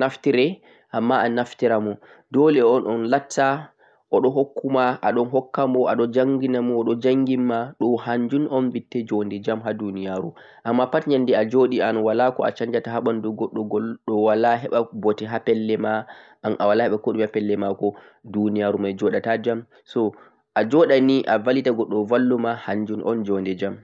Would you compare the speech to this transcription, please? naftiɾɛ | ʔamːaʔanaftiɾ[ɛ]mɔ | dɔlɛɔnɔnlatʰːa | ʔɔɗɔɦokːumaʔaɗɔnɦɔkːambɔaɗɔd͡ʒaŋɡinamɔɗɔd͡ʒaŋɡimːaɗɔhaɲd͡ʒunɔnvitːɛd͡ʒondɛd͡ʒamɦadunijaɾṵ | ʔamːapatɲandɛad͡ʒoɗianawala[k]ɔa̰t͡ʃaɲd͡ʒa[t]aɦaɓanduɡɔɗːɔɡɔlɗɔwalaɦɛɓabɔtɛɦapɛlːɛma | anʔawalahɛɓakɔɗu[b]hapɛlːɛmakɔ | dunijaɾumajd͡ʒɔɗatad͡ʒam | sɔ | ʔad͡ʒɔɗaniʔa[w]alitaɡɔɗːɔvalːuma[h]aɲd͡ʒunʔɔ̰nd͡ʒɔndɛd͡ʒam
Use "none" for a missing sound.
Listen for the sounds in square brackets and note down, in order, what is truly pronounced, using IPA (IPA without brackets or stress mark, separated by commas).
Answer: a, k, t, m, v, h